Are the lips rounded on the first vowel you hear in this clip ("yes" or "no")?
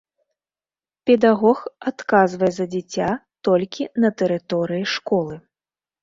no